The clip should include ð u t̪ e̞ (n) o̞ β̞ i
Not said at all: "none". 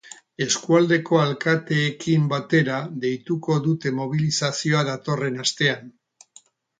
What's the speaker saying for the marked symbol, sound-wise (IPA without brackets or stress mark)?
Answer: m